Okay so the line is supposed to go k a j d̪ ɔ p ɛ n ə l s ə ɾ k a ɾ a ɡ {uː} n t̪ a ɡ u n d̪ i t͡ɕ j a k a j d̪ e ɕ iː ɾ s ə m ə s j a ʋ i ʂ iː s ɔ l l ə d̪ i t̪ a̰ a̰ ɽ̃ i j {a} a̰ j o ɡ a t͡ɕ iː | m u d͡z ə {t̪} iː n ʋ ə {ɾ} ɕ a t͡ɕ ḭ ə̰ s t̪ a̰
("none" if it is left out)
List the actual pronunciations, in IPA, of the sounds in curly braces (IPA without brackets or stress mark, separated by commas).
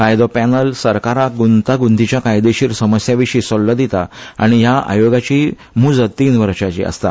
u, a, t̪, ɾ